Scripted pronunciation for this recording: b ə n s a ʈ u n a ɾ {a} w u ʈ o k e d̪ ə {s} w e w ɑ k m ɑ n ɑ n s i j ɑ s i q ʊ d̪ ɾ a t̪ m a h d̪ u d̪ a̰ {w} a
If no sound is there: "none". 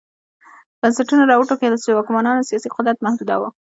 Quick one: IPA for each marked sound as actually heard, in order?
ɑ, s, w

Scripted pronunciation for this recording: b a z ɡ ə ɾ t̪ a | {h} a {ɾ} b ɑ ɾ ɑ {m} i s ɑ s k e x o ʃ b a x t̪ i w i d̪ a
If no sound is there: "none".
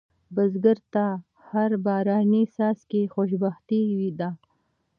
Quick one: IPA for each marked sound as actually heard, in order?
h, ɾ, n

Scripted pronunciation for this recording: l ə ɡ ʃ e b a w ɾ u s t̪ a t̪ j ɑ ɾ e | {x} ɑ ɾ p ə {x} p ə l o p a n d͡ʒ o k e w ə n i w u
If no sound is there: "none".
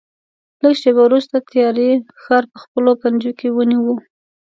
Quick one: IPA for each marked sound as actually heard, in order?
x, x

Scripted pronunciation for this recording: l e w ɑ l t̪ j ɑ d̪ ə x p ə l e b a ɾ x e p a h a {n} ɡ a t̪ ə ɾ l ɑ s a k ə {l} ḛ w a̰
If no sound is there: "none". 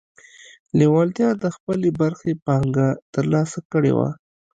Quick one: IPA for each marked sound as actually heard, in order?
ŋ, ɽ

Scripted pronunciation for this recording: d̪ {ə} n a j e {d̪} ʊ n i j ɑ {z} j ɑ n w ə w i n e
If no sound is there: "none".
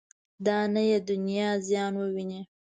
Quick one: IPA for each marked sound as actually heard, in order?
ɑ, d̪, z

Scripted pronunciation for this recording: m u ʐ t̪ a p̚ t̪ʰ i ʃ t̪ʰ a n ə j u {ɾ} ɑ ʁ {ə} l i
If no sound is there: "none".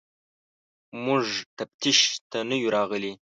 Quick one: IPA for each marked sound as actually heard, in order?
ɾ, ə

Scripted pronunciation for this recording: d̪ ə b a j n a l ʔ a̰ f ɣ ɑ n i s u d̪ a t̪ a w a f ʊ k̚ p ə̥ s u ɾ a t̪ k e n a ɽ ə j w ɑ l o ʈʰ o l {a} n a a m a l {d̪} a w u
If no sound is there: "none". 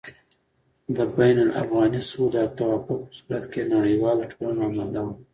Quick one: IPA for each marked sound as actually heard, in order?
a, d̪

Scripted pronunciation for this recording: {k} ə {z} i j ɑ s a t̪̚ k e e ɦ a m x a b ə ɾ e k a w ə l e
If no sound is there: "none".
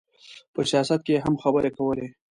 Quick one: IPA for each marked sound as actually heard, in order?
p, s

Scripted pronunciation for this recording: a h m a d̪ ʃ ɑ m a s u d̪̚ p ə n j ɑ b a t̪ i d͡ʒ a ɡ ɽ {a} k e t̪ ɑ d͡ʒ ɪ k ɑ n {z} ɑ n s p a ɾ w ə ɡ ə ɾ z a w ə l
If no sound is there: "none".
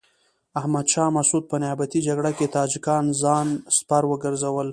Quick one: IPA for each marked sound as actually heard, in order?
a, z

